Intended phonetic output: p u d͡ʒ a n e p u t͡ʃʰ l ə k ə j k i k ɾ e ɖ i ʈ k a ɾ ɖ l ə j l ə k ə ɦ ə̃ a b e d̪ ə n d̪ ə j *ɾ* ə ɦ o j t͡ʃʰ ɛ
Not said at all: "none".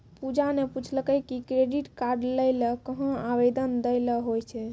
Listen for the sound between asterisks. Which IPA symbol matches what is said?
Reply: l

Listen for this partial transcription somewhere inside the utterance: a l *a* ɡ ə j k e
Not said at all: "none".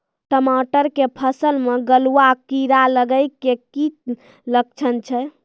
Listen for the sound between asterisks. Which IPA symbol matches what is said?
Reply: ə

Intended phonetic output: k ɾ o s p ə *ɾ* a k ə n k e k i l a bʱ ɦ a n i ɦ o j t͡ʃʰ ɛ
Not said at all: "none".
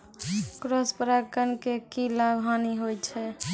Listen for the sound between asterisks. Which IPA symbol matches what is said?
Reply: ɾ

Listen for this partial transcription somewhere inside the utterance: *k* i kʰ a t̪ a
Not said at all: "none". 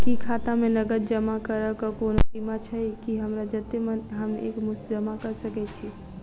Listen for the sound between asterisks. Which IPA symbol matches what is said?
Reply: k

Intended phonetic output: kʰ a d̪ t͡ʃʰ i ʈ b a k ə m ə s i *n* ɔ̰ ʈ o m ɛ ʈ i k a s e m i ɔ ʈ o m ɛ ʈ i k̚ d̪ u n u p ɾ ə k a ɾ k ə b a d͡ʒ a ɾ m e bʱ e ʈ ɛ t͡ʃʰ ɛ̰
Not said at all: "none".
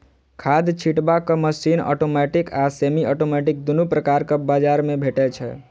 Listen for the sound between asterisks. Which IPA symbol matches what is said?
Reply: n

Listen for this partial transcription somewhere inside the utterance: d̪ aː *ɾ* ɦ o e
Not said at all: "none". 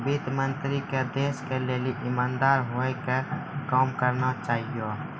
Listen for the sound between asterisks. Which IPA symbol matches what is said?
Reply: ɾ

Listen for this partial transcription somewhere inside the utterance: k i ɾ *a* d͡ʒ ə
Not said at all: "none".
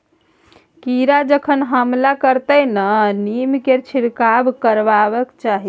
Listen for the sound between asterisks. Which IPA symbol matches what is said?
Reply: a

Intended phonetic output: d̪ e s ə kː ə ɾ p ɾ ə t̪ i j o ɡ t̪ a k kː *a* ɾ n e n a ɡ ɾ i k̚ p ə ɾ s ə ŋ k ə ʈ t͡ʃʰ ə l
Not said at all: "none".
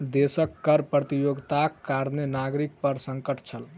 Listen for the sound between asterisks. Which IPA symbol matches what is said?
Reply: a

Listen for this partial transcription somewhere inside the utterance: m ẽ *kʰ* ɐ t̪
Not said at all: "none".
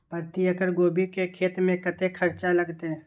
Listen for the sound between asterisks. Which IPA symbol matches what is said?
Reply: k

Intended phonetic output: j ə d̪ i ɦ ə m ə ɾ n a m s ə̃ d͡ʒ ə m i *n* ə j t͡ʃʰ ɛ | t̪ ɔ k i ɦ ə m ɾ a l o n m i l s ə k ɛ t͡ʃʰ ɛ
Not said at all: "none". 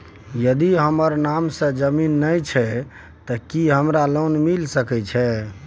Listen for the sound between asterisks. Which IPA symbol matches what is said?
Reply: nː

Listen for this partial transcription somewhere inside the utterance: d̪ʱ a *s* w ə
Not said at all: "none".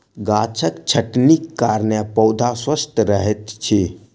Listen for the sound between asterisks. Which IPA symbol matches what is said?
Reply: s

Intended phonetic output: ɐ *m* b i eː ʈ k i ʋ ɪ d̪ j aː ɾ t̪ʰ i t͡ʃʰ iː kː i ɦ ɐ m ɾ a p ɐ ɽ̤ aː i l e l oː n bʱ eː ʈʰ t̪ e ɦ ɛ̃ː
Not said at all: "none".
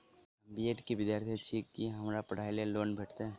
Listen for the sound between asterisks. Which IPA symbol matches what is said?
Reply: m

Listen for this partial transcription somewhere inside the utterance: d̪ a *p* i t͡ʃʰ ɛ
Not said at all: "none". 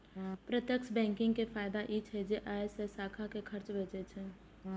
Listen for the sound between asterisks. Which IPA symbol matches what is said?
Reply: ʔ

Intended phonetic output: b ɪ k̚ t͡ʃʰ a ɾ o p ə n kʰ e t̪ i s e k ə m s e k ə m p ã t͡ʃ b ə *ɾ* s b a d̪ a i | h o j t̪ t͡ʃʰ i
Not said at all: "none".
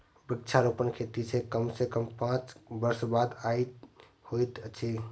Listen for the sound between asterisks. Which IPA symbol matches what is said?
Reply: ɾ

